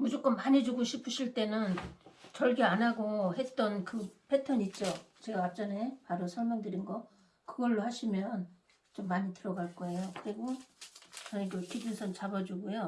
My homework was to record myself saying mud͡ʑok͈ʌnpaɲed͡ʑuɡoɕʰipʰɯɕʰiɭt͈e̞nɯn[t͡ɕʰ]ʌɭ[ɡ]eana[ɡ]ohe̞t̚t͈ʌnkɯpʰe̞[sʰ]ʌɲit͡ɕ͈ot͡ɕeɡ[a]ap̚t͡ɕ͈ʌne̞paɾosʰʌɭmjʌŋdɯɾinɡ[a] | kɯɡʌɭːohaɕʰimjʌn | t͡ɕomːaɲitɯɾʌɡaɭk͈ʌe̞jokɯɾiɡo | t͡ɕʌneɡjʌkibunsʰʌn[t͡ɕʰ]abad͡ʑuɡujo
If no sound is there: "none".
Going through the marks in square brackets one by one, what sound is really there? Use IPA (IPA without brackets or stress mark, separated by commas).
t͡ɕ, ɡ, ɡ, tʰ, a, ʌ, t͡ɕ